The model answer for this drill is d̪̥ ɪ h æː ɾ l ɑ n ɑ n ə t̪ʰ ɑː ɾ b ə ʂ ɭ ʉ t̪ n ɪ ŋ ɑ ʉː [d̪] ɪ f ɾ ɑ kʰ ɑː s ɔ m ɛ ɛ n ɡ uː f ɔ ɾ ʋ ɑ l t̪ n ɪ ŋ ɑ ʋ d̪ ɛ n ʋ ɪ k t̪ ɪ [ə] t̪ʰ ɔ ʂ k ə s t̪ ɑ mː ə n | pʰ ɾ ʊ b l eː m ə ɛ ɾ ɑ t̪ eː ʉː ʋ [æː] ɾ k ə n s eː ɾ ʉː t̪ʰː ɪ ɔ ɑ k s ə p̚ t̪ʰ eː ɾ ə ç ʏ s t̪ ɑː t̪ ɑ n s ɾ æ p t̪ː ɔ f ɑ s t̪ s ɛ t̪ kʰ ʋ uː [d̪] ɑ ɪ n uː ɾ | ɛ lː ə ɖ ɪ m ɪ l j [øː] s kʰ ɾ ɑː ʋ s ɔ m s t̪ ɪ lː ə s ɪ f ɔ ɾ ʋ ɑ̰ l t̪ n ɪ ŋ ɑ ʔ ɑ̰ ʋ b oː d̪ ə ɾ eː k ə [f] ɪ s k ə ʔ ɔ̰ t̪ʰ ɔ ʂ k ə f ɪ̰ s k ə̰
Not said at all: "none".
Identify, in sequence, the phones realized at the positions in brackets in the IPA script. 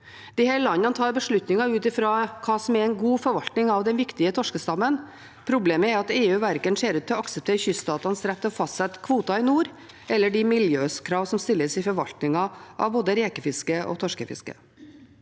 t̪, ə, æ, t̪, øː, f

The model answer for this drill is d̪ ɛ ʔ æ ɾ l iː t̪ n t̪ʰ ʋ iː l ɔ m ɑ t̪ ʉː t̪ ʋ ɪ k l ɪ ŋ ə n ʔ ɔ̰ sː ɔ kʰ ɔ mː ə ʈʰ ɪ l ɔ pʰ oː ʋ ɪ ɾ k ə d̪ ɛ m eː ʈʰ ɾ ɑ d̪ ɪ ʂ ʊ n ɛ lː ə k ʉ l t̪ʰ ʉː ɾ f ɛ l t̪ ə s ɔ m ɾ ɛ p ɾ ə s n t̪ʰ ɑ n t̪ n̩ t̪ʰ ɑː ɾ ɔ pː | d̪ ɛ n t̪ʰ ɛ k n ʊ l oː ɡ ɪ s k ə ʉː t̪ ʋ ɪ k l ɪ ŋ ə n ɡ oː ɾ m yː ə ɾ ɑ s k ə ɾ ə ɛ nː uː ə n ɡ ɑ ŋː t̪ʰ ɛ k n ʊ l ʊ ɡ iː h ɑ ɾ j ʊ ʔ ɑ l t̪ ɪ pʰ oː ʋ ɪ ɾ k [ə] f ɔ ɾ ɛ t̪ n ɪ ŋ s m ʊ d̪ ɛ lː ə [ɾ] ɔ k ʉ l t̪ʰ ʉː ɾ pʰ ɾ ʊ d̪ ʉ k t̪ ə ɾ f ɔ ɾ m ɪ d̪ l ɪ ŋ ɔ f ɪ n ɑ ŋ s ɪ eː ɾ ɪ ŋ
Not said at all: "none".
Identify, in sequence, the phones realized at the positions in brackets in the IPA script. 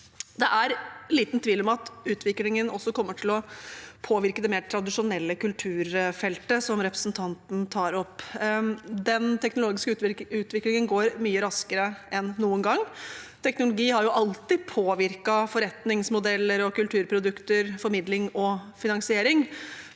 ɑ, ɾ

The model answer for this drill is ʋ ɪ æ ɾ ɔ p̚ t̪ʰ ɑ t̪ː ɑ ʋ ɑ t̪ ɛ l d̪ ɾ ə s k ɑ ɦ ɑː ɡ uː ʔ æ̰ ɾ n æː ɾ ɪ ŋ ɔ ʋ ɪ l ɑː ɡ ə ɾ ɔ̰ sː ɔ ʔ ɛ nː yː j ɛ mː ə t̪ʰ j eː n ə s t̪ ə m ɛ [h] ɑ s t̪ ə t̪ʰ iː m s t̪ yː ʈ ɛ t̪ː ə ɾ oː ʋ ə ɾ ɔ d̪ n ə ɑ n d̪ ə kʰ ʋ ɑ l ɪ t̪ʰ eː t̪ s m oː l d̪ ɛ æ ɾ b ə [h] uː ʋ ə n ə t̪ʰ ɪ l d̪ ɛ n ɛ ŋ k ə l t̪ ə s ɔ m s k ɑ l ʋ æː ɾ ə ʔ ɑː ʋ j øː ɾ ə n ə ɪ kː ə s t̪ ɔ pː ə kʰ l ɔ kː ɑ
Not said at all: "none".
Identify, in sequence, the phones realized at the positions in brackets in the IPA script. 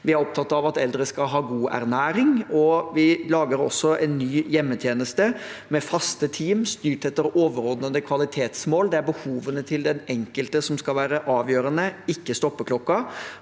f, h

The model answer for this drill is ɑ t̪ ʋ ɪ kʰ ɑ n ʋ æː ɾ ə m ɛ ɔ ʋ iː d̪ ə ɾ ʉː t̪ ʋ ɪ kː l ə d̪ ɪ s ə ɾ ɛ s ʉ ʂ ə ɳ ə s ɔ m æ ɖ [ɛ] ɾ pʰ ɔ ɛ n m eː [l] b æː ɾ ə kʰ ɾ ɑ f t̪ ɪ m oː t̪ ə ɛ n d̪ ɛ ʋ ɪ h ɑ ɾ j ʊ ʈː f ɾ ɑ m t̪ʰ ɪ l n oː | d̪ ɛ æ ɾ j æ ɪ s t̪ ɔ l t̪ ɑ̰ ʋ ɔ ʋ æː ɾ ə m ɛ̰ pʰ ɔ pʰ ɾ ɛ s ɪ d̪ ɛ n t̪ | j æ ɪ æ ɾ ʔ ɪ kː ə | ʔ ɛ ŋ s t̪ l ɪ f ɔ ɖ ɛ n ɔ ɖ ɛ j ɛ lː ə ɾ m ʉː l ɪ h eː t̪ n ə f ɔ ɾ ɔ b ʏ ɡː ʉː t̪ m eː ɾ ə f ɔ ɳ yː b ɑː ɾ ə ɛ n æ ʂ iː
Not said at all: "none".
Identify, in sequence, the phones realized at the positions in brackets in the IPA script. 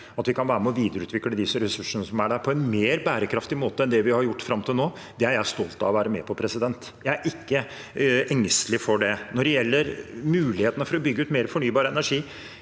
æ, ɾ

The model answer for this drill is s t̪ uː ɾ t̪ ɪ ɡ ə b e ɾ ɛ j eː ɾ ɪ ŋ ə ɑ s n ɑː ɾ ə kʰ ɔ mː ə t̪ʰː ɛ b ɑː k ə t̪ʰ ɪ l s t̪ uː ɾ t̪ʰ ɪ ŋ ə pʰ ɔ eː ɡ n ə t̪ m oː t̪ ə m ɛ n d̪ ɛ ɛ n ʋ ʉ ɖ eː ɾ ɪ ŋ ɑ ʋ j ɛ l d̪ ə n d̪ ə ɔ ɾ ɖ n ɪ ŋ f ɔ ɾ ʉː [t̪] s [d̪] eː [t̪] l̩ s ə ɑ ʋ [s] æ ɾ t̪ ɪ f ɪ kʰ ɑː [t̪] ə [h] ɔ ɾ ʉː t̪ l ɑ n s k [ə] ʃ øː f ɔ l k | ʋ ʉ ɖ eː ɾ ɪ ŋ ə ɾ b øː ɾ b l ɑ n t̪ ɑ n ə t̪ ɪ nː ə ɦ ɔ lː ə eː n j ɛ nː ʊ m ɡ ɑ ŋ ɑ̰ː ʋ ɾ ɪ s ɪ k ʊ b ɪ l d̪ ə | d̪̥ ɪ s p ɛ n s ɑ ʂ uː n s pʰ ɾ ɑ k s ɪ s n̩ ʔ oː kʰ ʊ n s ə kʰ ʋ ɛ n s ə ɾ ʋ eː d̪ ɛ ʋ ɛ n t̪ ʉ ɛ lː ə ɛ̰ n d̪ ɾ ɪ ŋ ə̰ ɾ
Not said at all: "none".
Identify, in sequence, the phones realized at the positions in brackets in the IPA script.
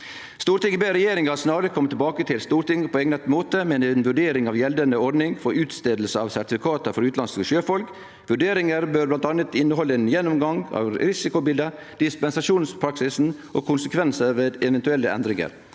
t̪, t̪, d̪, s, t̪, f, ə

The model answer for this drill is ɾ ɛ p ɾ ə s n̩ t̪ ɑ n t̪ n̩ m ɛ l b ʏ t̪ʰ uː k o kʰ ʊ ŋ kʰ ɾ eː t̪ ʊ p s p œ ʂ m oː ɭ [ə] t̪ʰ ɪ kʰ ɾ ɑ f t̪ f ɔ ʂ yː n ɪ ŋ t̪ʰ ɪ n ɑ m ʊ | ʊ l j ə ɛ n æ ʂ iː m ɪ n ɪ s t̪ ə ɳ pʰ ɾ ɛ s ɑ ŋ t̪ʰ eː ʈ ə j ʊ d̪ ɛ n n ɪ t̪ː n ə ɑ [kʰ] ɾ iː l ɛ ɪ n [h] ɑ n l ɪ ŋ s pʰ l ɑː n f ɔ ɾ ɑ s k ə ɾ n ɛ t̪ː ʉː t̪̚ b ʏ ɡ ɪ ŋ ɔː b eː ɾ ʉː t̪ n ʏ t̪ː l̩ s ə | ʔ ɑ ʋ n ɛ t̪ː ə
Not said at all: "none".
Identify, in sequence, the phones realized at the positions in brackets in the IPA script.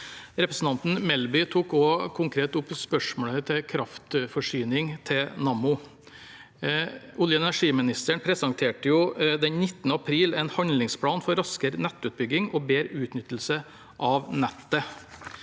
ə, pʰ, h

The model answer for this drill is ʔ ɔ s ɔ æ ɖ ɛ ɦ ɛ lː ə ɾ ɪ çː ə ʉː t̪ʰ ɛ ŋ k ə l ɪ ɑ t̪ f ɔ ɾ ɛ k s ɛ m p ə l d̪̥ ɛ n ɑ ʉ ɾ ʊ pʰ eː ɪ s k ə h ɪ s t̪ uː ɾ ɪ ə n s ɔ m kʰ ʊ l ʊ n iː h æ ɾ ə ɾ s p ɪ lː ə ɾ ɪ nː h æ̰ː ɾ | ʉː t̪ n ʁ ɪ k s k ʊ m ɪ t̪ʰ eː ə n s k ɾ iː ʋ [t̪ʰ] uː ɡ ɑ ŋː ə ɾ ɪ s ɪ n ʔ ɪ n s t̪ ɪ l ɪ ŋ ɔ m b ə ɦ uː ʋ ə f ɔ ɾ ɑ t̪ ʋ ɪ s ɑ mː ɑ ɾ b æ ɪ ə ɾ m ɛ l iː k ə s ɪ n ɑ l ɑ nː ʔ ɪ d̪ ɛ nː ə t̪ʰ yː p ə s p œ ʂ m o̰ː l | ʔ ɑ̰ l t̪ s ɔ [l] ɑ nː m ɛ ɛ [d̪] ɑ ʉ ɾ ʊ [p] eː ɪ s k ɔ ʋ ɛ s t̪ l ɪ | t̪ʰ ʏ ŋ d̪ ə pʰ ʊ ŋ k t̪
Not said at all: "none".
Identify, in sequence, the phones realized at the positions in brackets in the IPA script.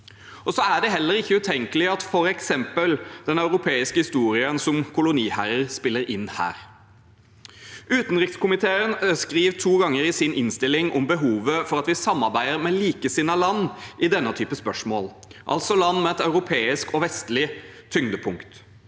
t̪ʰ, l, t̪, pʰ

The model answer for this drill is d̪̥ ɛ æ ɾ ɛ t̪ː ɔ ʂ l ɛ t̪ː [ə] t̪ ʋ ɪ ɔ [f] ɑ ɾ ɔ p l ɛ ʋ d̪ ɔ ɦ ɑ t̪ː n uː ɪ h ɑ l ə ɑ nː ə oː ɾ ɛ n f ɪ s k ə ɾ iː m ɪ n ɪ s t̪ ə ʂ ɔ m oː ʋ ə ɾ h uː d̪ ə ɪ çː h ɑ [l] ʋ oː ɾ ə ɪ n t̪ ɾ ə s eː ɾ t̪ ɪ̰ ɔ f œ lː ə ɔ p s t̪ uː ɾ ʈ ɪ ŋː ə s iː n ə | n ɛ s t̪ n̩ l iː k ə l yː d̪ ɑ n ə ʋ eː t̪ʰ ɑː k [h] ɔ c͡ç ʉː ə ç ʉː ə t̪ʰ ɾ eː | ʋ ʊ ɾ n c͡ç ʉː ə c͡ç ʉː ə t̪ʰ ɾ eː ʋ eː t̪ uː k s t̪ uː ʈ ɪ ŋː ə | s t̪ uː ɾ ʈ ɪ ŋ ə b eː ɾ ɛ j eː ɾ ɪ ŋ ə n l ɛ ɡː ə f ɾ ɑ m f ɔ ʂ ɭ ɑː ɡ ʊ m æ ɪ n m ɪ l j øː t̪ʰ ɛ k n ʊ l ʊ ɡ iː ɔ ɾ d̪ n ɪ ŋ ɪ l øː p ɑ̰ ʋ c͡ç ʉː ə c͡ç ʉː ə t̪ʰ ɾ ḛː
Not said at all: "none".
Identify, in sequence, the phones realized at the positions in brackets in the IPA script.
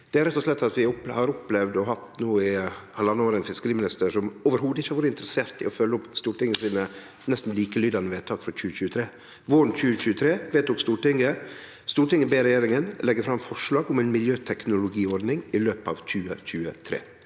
ɑ, h, ɾ, f

